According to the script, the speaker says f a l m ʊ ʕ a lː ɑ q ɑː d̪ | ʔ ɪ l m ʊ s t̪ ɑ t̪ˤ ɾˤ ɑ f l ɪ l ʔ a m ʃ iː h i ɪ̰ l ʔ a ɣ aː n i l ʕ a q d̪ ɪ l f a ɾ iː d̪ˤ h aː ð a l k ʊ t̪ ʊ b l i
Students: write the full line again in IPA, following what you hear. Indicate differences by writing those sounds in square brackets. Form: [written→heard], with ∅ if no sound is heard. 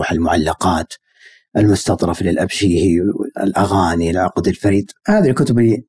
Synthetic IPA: [f→ħ] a l m ʊ ʕ a lː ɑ q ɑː [d̪→t̪] | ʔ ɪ l m ʊ s t̪ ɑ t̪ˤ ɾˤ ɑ f l ɪ l ʔ a [m→b] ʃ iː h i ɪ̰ l ʔ a ɣ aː n i l ʕ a q d̪ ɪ l f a ɾ iː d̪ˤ h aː ð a l k ʊ t̪ ʊ b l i